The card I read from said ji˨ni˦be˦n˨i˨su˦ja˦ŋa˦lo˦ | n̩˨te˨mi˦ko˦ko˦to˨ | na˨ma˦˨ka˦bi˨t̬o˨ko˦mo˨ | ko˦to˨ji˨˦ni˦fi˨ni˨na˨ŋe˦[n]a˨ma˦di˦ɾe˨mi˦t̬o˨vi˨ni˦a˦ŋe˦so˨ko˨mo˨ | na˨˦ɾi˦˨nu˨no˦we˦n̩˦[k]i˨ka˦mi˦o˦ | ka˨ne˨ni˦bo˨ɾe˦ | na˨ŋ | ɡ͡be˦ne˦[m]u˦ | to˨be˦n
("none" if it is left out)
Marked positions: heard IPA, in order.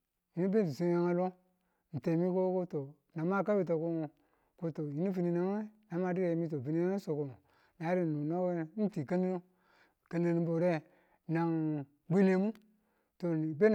n, t, m

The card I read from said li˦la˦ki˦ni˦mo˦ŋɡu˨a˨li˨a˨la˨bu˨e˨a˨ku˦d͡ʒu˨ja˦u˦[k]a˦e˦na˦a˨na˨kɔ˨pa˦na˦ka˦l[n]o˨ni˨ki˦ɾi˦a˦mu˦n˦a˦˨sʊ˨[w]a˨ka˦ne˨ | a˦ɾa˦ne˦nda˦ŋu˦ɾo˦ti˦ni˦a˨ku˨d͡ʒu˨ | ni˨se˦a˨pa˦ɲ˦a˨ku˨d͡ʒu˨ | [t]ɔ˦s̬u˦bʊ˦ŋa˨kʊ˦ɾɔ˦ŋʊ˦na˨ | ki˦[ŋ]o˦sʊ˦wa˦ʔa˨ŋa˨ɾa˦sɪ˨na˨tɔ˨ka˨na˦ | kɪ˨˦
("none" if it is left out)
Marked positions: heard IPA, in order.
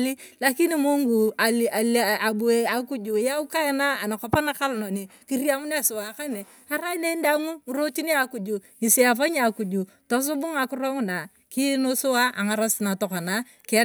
k, n, w, t, n

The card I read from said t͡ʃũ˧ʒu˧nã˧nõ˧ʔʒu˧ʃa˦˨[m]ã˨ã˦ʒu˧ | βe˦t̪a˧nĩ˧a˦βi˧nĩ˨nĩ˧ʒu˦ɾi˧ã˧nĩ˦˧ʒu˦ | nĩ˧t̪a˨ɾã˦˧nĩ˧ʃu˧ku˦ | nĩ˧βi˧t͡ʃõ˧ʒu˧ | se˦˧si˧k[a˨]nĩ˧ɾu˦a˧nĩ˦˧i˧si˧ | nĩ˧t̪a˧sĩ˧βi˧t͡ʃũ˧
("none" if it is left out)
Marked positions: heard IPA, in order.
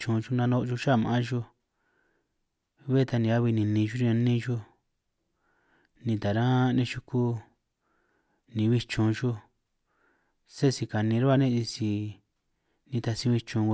m, a˨

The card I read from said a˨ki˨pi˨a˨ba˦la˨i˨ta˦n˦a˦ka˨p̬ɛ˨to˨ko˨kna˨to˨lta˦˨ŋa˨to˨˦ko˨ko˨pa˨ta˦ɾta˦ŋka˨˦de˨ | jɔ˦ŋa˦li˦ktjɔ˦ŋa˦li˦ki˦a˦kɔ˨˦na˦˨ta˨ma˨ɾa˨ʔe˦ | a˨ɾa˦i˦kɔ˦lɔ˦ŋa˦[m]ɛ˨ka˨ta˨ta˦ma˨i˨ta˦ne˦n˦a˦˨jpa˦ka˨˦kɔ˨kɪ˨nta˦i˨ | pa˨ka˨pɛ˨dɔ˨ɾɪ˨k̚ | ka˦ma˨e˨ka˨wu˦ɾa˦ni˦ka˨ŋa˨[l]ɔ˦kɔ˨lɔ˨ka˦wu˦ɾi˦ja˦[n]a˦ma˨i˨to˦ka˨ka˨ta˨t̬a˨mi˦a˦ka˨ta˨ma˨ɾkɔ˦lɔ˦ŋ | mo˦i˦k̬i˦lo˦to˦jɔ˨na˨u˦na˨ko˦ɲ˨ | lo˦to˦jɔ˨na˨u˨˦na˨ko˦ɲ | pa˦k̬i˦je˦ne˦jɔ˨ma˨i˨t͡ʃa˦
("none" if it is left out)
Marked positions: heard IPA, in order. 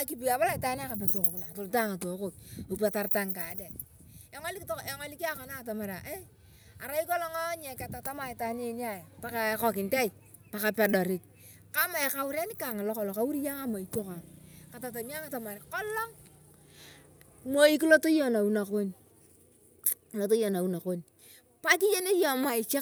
ɲ, l, ŋ

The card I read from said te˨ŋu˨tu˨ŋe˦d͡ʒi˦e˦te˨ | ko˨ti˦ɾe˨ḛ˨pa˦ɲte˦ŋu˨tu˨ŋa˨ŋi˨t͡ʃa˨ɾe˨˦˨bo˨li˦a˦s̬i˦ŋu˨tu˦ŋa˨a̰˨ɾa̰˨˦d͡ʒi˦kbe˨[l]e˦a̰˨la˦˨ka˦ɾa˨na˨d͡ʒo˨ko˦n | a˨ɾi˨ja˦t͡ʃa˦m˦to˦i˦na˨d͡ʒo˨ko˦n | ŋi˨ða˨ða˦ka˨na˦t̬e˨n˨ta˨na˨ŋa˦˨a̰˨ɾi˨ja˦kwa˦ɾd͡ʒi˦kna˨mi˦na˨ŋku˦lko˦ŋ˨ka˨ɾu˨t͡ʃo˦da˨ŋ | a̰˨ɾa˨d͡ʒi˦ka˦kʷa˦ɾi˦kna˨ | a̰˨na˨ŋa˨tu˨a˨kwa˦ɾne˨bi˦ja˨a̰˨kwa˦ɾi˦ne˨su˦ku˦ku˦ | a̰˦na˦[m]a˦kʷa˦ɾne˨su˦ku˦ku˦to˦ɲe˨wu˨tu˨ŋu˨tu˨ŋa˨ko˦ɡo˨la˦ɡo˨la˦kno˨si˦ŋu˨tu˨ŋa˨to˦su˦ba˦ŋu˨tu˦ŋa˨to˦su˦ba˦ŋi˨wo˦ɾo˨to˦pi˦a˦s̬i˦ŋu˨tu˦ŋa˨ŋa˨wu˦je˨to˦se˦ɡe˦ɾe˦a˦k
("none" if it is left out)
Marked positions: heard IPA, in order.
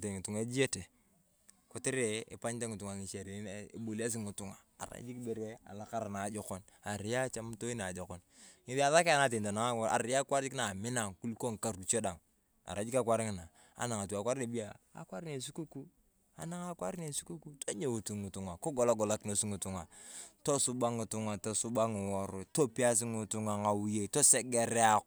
ɾ, ŋ

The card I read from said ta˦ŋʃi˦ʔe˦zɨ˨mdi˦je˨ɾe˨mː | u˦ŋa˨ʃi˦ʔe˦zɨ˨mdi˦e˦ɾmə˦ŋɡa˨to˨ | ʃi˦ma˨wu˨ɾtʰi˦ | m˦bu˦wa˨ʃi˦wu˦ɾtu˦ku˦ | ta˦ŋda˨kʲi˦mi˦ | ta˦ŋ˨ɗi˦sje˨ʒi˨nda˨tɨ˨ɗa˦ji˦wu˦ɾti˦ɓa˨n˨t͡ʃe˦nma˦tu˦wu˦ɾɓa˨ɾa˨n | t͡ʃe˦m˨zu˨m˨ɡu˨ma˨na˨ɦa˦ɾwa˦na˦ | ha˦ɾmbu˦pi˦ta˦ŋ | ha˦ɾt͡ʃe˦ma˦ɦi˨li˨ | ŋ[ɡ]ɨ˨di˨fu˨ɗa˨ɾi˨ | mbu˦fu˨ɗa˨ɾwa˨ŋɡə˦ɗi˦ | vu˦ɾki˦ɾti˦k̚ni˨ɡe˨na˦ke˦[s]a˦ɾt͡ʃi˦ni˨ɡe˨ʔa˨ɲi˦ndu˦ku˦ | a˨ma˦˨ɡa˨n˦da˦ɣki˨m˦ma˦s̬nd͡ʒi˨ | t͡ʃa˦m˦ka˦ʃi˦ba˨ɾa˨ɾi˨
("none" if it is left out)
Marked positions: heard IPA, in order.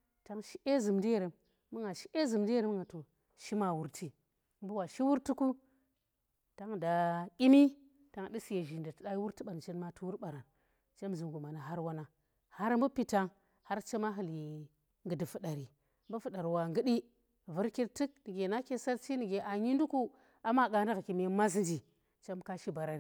ɡ, s

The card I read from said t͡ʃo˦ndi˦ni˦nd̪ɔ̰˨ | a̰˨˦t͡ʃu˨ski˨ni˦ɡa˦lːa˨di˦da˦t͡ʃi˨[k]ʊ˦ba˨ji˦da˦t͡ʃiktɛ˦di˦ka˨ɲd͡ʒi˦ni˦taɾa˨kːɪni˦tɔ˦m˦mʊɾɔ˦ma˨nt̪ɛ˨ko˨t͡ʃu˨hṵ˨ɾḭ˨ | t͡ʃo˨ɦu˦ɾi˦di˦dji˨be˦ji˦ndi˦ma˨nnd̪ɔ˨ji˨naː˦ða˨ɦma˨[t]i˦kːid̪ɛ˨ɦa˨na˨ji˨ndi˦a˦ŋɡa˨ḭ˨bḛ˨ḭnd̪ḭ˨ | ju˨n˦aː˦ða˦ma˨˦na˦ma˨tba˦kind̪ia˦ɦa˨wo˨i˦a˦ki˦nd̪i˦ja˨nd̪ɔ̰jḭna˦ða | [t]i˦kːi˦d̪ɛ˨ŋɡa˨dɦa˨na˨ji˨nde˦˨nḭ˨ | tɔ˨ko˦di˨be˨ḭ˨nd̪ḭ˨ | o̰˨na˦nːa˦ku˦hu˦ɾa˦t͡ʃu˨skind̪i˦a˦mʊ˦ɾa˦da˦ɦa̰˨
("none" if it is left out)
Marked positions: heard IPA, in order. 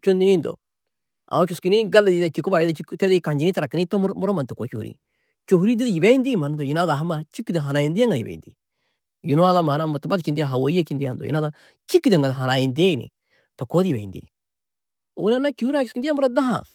k, t͡ʃ, t͡ʃ

